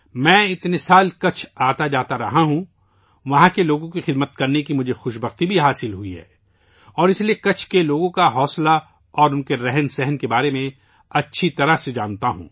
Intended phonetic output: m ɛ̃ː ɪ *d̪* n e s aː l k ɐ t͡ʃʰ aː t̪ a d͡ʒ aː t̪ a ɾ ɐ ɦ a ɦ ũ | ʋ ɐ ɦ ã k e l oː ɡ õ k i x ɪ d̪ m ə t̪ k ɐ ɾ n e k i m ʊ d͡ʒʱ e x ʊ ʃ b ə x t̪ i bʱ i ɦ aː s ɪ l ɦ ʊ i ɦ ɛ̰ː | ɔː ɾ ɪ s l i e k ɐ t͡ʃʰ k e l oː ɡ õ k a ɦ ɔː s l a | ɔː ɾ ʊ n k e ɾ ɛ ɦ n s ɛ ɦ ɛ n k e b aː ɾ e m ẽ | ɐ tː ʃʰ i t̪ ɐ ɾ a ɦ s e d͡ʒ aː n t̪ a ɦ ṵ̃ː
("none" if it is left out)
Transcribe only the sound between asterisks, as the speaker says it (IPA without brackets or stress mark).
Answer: t̪